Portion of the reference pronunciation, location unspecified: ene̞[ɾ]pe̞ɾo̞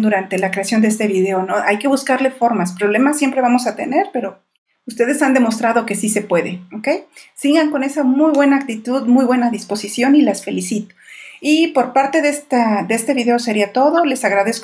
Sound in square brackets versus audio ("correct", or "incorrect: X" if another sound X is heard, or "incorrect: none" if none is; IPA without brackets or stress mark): correct